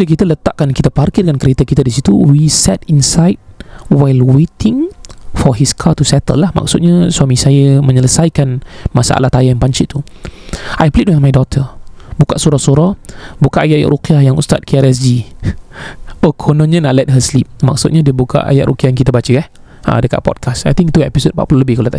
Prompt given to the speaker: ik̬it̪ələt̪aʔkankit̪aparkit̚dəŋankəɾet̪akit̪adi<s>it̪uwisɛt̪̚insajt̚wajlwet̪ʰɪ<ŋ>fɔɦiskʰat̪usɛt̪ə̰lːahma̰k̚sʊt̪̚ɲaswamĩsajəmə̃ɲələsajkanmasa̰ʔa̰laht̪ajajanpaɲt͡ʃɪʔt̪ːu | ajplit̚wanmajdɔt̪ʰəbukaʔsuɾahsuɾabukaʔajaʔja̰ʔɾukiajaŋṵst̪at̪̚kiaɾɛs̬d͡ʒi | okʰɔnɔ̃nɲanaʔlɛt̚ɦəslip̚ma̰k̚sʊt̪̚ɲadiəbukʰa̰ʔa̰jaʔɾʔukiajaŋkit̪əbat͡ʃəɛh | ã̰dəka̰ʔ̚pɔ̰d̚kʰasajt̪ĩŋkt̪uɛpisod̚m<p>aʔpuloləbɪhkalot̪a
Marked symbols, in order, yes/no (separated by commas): yes, yes, yes